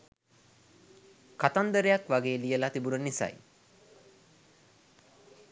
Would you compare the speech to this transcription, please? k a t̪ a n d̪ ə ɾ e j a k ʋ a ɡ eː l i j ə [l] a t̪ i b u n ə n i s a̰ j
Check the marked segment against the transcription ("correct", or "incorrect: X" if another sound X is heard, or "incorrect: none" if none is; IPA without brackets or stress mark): correct